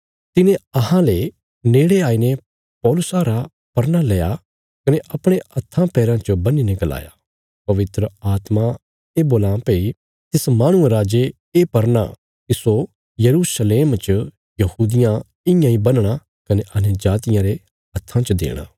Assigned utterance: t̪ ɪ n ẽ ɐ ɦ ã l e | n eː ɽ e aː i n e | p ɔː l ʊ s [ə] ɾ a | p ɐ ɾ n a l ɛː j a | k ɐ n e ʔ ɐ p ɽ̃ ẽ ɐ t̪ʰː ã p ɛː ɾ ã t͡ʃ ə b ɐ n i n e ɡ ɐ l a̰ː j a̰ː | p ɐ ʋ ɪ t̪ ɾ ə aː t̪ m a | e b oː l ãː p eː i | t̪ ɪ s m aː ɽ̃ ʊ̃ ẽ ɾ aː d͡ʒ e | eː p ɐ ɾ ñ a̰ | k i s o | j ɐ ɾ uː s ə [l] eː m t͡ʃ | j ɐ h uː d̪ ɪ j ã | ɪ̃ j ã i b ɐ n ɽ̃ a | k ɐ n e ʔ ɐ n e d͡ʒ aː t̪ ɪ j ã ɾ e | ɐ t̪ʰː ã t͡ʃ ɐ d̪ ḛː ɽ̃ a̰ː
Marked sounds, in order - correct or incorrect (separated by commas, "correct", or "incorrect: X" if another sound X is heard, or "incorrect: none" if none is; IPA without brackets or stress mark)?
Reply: incorrect: a, correct